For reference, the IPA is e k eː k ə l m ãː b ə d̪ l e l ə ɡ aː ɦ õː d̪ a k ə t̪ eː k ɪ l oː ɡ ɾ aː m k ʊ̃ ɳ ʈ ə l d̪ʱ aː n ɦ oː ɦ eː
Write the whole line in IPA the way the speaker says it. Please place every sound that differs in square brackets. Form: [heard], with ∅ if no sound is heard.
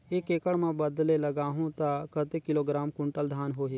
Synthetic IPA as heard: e k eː k ə [ɽ] m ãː b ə d̪ l e l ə ɡ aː ɦ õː [t̪] a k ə t̪ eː k ɪ l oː ɡ ɾ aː m k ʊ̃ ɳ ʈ ə l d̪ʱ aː n ɦ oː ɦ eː